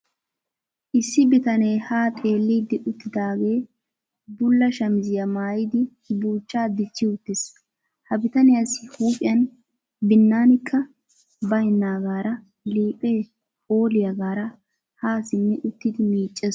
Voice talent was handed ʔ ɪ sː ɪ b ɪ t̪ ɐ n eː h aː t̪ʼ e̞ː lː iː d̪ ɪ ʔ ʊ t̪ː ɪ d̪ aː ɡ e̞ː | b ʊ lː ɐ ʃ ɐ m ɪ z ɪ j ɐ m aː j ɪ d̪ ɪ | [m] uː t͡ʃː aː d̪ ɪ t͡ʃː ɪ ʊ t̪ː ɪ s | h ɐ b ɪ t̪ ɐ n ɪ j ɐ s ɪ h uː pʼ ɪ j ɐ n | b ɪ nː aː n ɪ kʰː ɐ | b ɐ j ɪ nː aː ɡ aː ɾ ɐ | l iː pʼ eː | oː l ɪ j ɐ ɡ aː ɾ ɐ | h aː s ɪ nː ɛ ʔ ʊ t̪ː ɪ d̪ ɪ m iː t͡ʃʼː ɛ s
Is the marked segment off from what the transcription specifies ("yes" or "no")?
yes